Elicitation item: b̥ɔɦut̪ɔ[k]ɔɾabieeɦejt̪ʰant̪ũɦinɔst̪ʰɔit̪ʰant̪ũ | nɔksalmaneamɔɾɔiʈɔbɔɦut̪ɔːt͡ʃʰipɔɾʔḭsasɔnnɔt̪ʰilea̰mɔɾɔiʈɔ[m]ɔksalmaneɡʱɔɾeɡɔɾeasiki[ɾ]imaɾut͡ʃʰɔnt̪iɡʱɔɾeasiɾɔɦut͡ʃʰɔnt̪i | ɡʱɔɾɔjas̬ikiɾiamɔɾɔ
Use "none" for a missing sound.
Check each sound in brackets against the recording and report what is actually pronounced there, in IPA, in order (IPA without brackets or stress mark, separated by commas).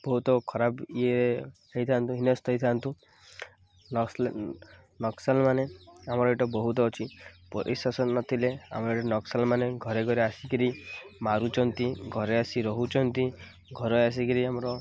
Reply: kʰ, n, ɾ